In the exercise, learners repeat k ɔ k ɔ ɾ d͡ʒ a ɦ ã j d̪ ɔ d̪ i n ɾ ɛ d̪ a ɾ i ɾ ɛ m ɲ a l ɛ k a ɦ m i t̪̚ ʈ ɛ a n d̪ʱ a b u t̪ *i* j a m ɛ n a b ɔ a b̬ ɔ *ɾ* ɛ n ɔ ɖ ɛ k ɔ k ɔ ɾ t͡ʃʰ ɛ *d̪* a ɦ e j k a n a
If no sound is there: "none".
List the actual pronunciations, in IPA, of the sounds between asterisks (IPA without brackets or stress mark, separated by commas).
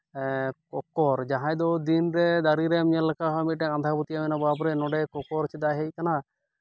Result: i, ɾ, d̪